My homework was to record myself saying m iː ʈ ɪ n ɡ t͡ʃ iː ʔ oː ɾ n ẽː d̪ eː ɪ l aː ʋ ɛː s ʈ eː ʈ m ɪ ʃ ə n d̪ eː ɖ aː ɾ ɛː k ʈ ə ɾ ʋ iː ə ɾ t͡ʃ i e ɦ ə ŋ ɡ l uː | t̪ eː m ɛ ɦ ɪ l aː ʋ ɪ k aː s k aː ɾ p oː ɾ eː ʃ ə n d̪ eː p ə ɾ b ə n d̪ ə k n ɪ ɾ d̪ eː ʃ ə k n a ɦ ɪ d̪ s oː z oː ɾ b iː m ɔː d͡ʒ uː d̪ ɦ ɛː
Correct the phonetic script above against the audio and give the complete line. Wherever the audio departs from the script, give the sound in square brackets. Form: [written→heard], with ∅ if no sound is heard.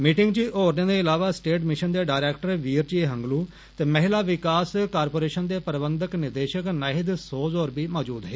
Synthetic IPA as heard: m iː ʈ ɪ [n→ŋ] ɡ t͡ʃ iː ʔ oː ɾ n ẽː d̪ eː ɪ l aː ʋ [ɛː→aː] s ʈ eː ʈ m ɪ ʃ ə n d̪ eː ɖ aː ɾ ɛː k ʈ ə ɾ ʋ iː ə ɾ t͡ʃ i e ɦ ə ŋ ɡ l uː | t̪ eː m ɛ ɦ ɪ l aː ʋ ɪ k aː s k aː ɾ p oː ɾ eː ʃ ə n d̪ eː p ə ɾ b ə n d̪ ə k n ɪ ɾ d̪ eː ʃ ə k n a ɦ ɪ d̪ s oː z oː ɾ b iː m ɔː d͡ʒ uː d̪ ɦ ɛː